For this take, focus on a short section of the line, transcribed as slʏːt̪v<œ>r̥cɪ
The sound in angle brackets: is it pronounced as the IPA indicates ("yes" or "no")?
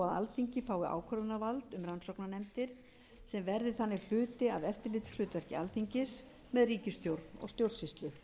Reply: no